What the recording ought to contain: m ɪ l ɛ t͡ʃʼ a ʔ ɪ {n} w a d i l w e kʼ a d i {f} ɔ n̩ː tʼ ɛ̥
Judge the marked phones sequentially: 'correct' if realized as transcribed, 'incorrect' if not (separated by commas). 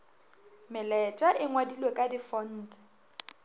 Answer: incorrect, correct